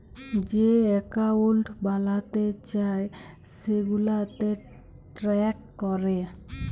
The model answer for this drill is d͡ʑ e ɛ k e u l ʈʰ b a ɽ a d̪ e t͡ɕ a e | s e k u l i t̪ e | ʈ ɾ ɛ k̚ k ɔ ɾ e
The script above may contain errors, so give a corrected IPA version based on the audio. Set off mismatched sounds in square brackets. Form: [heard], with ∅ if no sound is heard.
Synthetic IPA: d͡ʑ e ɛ k [a] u l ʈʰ b a [l] a [t̪] e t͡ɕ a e | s e [ɡ] u l [a] t̪ e | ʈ ɾ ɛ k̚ k ɔ ɾ e